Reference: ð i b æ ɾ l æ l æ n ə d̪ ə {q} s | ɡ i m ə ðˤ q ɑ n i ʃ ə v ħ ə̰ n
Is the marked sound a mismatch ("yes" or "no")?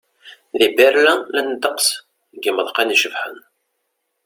no